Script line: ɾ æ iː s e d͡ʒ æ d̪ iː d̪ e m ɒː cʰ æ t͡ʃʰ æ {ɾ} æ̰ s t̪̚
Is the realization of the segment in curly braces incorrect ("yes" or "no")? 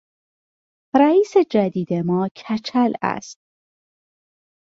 yes